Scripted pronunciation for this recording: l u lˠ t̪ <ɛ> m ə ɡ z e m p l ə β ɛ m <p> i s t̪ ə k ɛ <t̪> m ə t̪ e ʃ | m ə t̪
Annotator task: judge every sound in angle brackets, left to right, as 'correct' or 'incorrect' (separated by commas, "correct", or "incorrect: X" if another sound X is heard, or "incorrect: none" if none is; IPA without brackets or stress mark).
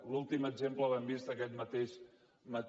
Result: incorrect: i, incorrect: b, correct